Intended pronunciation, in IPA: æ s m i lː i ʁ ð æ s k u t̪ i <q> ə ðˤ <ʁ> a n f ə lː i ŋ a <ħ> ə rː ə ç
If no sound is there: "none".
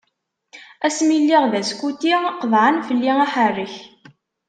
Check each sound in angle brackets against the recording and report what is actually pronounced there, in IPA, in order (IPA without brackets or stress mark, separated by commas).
q, ʕ, ħ